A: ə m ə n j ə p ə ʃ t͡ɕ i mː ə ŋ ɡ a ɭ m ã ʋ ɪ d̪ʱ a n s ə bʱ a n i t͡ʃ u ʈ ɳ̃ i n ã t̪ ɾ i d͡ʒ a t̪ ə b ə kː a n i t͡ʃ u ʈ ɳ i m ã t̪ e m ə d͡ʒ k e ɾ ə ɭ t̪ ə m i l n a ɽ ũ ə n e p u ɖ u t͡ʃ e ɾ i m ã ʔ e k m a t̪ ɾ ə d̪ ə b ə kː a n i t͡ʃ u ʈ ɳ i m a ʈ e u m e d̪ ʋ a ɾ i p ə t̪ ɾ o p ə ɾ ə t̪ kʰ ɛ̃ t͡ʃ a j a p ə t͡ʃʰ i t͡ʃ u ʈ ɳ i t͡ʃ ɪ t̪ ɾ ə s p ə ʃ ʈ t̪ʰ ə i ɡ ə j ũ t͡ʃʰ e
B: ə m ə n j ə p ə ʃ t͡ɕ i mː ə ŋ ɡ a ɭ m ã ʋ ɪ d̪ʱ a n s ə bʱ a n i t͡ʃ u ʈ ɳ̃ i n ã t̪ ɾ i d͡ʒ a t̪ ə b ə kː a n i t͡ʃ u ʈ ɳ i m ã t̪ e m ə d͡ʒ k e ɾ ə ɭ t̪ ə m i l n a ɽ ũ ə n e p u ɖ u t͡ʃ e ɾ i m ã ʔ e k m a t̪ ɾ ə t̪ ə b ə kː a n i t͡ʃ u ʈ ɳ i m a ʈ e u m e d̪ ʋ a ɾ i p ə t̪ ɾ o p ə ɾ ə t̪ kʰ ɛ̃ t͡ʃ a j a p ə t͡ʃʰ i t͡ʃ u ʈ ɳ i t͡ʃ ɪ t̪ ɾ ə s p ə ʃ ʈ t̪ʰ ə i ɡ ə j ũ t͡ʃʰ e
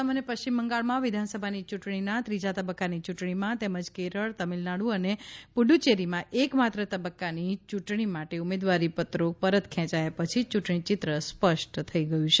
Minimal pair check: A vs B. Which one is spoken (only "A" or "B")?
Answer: B